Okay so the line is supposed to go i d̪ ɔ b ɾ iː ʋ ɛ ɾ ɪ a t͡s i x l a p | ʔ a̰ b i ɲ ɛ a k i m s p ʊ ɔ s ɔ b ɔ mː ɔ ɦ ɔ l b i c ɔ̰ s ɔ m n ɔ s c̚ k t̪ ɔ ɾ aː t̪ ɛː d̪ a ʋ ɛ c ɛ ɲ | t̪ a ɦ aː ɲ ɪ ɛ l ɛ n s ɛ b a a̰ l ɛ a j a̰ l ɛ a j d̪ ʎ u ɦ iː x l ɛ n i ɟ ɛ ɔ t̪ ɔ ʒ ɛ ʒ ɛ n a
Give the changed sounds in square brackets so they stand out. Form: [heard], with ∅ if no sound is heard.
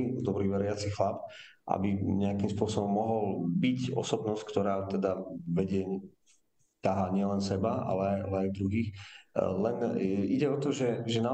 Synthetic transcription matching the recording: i d̪ ɔ b ɾ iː ʋ ɛ ɾ ɪ a t͡s i x l a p | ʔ a̰ b i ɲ ɛ a k i m s p ʊ ɔ s ɔ b ɔ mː ɔ ɦ ɔ l b i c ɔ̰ s ɔ [b] n ɔ s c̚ k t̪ ɔ ɾ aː t̪ [ɛ] d̪ a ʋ ɛ [ɟ] ɛ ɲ | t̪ a ɦ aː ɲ ɪ ɛ l ɛ n s ɛ b a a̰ l ɛ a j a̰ l ɛ a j d̪ [ɾ] u ɦ iː x l ɛ n i ɟ ɛ ɔ t̪ ɔ ʒ ɛ ʒ ɛ n a